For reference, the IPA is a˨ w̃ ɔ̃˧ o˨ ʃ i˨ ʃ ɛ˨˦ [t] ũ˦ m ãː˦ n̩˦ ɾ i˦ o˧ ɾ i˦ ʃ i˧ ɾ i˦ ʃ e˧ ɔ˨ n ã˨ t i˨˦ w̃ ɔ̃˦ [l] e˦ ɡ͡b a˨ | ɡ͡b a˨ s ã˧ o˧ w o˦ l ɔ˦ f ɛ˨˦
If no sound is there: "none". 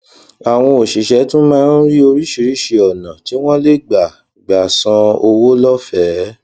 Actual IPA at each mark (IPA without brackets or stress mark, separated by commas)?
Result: t, l